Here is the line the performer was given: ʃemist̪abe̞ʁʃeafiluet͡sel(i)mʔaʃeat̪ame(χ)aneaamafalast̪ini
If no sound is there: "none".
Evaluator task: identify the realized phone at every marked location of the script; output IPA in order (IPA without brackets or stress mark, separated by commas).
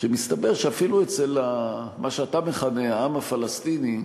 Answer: a, χ